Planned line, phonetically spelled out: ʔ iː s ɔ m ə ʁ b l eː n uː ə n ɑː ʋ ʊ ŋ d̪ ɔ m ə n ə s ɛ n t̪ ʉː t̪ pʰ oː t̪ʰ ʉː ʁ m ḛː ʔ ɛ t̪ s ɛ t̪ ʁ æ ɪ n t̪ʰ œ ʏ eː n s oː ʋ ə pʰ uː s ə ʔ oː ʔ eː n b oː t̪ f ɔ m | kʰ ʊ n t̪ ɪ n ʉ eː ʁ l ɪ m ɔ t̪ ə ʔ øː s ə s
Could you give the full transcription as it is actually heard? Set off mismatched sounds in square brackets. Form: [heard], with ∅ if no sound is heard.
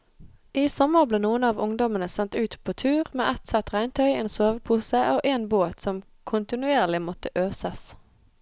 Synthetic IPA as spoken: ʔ iː s ɔ m ə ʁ b l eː n uː ə n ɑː ʋ ʊ ŋ d̪ ɔ m ə n ə s ɛ n t̪ ʉː t̪ pʰ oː t̪ʰ ʉː ʁ m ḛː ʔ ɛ t̪ s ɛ t̪ ʁ æ ɪ n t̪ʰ œ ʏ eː n s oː ʋ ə pʰ uː s ə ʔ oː ʔ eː n b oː t̪ [s] ɔ m | kʰ ʊ n t̪ ɪ n ʉ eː ʁ l ɪ m ɔ t̪ ə ʔ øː s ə s

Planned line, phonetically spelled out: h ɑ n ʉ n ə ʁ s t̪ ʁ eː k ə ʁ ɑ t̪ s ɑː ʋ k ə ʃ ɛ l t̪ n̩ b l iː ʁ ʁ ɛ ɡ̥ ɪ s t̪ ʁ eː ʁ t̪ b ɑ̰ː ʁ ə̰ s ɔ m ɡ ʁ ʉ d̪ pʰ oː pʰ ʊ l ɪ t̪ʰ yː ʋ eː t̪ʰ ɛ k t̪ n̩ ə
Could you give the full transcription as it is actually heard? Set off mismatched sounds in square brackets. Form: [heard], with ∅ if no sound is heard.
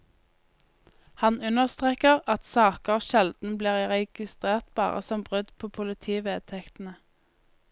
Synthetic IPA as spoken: h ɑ n ʉ n ə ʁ s t̪ ʁ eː k ə ʁ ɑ t̪ s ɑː [∅] k ə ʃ ɛ l [d̪] n̩ b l iː ʁ ʁ ɛ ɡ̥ ɪ s t̪ ʁ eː ʁ t̪ b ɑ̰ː ʁ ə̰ s ɔ m [b] ʁ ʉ d̪ pʰ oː pʰ ʊ l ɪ t̪ʰ [iː] ʋ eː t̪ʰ ɛ k t̪ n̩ ə

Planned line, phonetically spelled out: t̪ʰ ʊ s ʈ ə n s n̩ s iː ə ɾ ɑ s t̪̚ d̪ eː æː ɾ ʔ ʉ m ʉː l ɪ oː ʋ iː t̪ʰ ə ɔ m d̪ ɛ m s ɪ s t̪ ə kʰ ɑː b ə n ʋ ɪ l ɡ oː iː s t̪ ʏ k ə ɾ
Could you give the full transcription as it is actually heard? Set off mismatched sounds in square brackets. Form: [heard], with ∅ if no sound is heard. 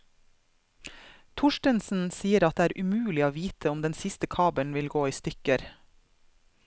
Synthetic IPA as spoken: t̪ʰ ʊ [ʃ] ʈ ə n s n̩ s iː ə ɾ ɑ [∅] t̪̚ d̪ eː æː ɾ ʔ ʉ m ʉː l ɪ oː ʋ iː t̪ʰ ə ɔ m d̪ ɛ [n] s ɪ s t̪ ə kʰ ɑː b ə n ʋ ɪ l ɡ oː iː s t̪ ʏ k ə ɾ

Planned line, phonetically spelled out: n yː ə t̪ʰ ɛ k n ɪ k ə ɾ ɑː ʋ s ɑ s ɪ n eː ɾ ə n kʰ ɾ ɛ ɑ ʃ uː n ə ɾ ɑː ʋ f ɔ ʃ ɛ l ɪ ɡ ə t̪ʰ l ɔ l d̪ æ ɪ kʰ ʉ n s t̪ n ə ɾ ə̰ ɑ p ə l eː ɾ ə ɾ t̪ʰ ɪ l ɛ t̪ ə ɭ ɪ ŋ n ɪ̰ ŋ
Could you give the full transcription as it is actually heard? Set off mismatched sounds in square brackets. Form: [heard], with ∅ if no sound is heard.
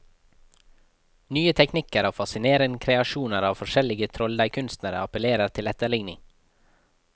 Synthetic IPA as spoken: n yː ə t̪ʰ ɛ k n ɪ k ə ɾ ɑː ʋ [f] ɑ s ɪ n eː ɾ ə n kʰ ɾ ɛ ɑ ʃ uː n ə ɾ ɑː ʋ f ɔ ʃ ɛ l ɪ ɡ ə t̪ʰ [ɾ] ɔ l d̪ æ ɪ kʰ ʉ n s t̪ n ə ɾ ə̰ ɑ p ə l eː ɾ ə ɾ t̪ʰ ɪ l ɛ t̪ ə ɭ ɪ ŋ n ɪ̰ ŋ

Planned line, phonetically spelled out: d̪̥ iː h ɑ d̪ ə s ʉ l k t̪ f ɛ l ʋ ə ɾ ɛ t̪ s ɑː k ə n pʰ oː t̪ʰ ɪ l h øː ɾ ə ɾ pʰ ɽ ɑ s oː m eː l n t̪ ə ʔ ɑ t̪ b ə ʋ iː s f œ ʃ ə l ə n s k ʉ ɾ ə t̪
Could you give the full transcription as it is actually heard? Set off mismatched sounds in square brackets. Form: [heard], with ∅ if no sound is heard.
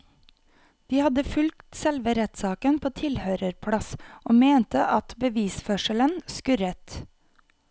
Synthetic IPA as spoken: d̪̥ iː h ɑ d̪ ə [f] ʉ l k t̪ [s] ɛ l ʋ ə ɾ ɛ t̪ s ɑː k ə n pʰ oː t̪ʰ ɪ l h øː ɾ ə ɾ pʰ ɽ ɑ s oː m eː [∅] n t̪ ə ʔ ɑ t̪ b ə ʋ iː s f œ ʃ ə l ə n s k ʉ ɾ ə t̪

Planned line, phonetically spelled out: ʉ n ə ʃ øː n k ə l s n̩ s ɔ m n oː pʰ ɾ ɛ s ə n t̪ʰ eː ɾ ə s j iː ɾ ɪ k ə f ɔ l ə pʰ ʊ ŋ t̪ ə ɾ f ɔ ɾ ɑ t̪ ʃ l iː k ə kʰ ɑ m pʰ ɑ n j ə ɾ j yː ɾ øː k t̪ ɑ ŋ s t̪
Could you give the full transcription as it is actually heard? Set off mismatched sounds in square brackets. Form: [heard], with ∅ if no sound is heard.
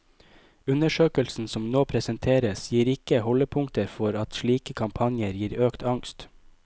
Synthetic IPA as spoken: ʉ n ə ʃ øː [∅] k ə l s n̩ s ɔ m n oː pʰ ɾ ɛ s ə n t̪ʰ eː ɾ ə s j iː ɾ ɪ k ə [h] ɔ l ə pʰ ʊ ŋ t̪ ə ɾ f ɔ ɾ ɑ t̪ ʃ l iː k ə kʰ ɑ m pʰ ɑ n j ə ɾ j [iː] ɾ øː k t̪ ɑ ŋ s t̪

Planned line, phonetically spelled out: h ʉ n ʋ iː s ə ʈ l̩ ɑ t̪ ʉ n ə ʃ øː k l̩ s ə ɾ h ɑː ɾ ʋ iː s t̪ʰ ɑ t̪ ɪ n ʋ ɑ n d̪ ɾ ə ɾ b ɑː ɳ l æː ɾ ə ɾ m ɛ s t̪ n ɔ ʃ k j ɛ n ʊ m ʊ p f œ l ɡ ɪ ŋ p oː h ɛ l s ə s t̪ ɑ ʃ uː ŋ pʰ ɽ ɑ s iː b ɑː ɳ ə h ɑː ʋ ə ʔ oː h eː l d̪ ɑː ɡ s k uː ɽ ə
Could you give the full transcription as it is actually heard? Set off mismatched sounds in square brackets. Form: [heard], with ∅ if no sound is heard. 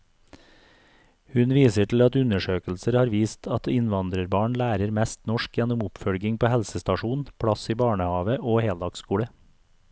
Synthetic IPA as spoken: h ʉ n ʋ iː s ə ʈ l̩ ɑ t̪ ʉ n ə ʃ øː k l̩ s ə ɾ h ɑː ɾ ʋ iː s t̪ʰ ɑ t̪ ɪ n ʋ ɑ n d̪ ɾ ə ɾ b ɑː ɳ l æː ɾ ə ɾ m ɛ s t̪ n ɔ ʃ k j ɛ n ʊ m ʊ p f œ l ɡ ɪ ŋ p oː h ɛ l s ə s t̪ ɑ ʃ uː [n] pʰ ɽ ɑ s iː b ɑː ɳ ə h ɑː ʋ ə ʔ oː h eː l d̪ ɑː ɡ s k uː ɽ ə

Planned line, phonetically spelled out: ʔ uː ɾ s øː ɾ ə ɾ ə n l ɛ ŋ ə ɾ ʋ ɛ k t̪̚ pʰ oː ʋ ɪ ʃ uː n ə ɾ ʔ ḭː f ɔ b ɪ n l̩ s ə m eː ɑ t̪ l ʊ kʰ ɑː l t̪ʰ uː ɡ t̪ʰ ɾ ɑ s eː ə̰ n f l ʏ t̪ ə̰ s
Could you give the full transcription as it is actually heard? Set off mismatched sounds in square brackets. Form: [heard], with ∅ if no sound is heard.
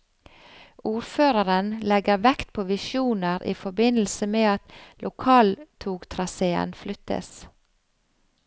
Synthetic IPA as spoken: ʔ uː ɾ [f] øː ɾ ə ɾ ə n l ɛ [ɡ] ə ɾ ʋ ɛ k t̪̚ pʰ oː ʋ ɪ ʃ uː n ə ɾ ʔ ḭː f ɔ b ɪ n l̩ s ə m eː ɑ t̪ l ʊ kʰ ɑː l t̪ʰ uː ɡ t̪ʰ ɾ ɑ s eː ə̰ n f l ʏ t̪ ə̰ s

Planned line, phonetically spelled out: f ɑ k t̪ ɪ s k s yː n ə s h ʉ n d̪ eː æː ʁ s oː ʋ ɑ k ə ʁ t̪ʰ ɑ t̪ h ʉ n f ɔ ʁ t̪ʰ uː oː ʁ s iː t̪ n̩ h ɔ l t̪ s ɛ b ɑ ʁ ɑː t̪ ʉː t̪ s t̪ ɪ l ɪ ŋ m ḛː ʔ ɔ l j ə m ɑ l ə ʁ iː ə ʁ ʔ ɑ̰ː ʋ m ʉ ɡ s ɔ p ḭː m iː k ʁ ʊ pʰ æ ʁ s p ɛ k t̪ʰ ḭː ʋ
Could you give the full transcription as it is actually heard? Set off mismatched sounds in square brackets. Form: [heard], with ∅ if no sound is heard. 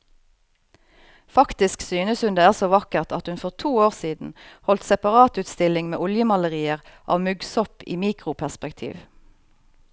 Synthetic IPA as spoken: f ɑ k t̪ ɪ s k s yː n ə s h ʉ n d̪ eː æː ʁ s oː ʋ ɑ k ə ʁ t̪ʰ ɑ t̪ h ʉ n f ɔ ʁ t̪ʰ uː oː ʁ s iː [d̪] n̩ h ɔ l t̪ s ɛ [p] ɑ ʁ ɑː t̪ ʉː t̪ s t̪ ɪ l ɪ ŋ m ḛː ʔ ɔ l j ə m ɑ l ə ʁ iː ə ʁ ʔ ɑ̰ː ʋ m ʉ ɡ s ɔ p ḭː m iː k ʁ ʊ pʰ æ ʁ s p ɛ k t̪ʰ ḭː ʋ

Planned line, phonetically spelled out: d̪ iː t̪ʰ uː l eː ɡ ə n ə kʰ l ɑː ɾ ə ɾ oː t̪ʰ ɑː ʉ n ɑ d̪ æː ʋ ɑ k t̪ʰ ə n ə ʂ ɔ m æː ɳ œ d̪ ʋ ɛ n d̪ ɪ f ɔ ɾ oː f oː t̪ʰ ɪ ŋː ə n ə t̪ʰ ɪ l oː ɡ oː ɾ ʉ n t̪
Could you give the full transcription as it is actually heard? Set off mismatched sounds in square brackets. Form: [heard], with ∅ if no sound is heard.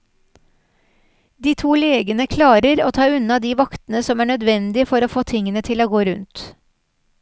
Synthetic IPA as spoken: d̪ iː t̪ʰ uː l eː ɡ ə n ə kʰ l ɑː ɾ ə ɾ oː t̪ʰ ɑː ʉ n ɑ d̪ [iː] ʋ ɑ k [t̪] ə n ə [s] ɔ m æː ɳ œ d̪ ʋ ɛ n d̪ ɪ f ɔ ɾ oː f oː t̪ʰ ɪ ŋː ə n ə t̪ʰ ɪ l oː ɡ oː ɾ ʉ n t̪

